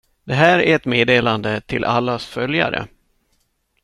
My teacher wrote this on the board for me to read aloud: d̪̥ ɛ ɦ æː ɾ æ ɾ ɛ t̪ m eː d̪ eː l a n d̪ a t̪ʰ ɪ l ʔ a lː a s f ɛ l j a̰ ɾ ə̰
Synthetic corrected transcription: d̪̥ ɛ ɦ æː ɾ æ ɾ ɛ t̪ m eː d̪ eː l a n d̪ ə t̪ʰ ɪ l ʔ a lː a s f œ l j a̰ ɾ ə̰